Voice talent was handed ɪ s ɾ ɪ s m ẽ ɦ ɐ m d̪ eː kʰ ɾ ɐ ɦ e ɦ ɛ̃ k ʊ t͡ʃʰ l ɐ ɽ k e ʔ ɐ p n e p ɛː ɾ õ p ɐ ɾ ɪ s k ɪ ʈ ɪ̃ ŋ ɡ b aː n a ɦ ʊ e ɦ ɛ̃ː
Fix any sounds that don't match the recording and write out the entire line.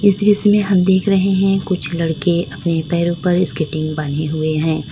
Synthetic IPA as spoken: ɪ s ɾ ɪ s m ẽ ɦ ɐ m d̪ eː kʰ ɾ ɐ ɦ e ɦ ɛ̃ k ʊ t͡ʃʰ l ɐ ɽ k e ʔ ɐ p n e p ɛː ɾ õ p ɐ ɾ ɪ s k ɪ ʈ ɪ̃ ŋ ɡ b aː n e ɦ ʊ e ɦ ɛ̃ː

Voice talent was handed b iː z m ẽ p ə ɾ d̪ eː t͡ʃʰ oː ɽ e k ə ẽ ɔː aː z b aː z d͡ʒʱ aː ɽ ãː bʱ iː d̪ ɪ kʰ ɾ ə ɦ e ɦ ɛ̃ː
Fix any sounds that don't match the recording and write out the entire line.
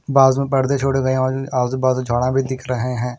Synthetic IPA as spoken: b aː z m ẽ p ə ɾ d̪ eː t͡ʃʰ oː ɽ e ɡ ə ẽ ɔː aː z b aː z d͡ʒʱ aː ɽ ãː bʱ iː d̪ ɪ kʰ ɾ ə ɦ e ɦ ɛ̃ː

